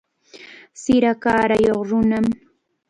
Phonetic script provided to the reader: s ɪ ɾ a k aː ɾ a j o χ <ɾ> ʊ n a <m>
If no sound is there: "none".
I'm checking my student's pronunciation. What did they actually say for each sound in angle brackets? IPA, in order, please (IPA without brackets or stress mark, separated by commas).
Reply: ɾ, m